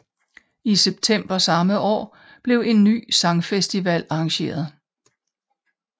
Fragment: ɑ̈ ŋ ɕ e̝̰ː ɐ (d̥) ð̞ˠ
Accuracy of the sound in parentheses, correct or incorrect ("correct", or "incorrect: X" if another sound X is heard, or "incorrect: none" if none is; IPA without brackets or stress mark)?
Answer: incorrect: none